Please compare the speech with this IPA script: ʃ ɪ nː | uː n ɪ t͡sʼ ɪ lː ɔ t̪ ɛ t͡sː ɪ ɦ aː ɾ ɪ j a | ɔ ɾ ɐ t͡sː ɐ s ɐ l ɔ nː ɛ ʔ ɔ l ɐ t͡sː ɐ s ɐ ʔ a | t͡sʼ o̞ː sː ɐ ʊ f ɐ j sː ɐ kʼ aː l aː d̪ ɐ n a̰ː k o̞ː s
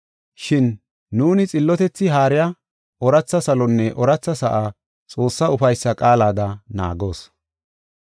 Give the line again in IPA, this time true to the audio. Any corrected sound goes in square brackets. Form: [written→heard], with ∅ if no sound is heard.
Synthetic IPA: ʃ ɪ nː | uː n ɪ t͡sʼ ɪ lː ɔ t̪ ɛ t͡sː ɪ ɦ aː ɾ ɪ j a | ɔ ɾ ɐ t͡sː ɐ s ɐ l ɔ nː ɛ ʔ ɔ [l→ɾ] ɐ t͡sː ɐ s ɐ ʔ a | t͡sʼ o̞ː sː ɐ ʊ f ɐ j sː ɐ kʼ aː l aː d̪ ɐ n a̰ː [k→ɡ] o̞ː s

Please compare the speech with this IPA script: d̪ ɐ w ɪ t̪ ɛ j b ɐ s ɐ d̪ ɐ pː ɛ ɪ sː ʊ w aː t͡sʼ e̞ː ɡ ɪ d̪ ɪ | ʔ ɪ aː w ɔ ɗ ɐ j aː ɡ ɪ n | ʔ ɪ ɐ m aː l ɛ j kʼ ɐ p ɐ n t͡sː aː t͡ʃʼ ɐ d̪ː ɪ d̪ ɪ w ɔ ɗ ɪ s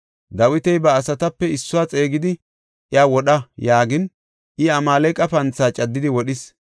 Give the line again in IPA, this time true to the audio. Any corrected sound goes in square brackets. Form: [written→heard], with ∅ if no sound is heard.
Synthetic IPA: d̪ ɐ w ɪ t̪ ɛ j b [ɐ→ɐː] s ɐ [d̪→t̪] ɐ pː ɛ ɪ sː ʊ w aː t͡sʼ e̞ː ɡ ɪ d̪ ɪ | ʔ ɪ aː w ɔ ɗ ɐ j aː ɡ ɪ n | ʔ ɪ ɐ m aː l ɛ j kʼ ɐ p ɐ n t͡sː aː t͡ʃʼ ɐ d̪ː ɪ d̪ ɪ w ɔ ɗ ɪ s

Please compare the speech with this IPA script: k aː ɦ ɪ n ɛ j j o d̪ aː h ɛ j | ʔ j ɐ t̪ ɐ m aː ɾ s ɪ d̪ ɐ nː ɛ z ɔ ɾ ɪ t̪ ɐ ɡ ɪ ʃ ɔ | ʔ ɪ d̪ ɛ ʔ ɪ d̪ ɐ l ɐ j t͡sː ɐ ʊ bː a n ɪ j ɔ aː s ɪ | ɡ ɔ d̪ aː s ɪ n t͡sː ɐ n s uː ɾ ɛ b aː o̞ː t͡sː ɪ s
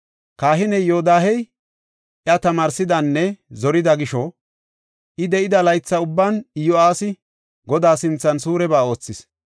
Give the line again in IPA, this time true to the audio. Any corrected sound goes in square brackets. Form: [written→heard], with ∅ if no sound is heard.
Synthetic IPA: k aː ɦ ɪ n ɛ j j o d̪ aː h ɛ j | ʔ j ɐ t̪ ɐ m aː ɾ s ɪ d̪ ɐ nː ɛ z ɔ ɾ ɪ [t̪→d̪] ɐ ɡ ɪ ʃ ɔ | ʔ ɪ d̪ ɛ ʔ ɪ d̪ ɐ l ɐ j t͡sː ɐ ʊ bː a n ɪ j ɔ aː s ɪ | ɡ ɔ d̪ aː s ɪ n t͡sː ɐ n s uː ɾ ɛ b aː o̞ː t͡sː ɪ s

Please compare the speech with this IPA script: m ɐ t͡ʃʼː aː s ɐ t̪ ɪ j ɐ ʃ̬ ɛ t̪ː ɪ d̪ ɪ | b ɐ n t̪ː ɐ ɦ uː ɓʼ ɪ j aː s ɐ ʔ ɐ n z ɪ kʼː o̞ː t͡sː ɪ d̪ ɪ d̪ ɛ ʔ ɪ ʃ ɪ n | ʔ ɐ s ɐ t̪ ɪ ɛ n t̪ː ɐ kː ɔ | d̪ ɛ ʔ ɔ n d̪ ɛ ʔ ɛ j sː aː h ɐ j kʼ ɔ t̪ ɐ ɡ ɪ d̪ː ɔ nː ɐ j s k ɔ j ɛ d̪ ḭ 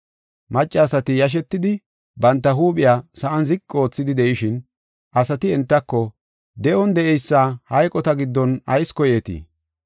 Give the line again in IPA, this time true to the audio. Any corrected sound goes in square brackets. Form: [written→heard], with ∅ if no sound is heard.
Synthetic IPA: m ɐ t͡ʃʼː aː s ɐ t̪ ɪ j ɐ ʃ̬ ɛ t̪ː ɪ d̪ ɪ | b ɐ n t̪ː ɐ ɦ uː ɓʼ ɪ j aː s ɐ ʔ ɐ n z ɪ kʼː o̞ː t͡sː ɪ d̪ ɪ d̪ ɛ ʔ ɪ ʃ ɪ n | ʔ ɐ s ɐ t̪ ɪ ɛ n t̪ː ɐ kː ɔ | d̪ ɛ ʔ ɔ n d̪ ɛ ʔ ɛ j sː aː h ɐ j kʼ ɔ t̪ ɐ ɡ ɪ d̪ː ɔ [nː→n] ɐ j s k ɔ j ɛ [d̪→t̪] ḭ

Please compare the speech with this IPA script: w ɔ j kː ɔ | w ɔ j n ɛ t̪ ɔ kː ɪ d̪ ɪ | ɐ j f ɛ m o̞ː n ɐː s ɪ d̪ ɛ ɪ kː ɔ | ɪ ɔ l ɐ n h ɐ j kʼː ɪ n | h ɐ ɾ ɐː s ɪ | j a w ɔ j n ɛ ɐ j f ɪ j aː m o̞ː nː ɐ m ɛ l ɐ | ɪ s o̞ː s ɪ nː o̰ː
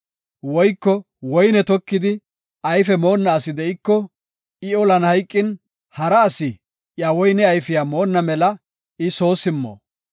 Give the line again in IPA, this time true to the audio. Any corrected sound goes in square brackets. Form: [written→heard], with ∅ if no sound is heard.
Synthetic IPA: w ɔ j kː ɔ | w ɔ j n ɛ t̪ ɔ kː ɪ d̪ ɪ | ɐ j f ɛ m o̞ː [n→nː] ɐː s ɪ d̪ ɛ ɪ kː ɔ | ɪ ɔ l ɐ n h ɐ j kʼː ɪ n | h ɐ ɾ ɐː s ɪ | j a w ɔ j n ɛ ɐ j f ɪ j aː m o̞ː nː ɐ m ɛ l ɐ | ɪ s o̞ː s ɪ [nː→mː] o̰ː

